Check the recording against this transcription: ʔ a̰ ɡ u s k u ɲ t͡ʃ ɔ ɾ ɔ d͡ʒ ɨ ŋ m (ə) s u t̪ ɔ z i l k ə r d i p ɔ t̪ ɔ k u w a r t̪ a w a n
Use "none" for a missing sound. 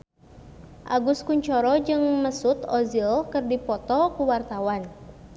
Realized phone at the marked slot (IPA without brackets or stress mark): ə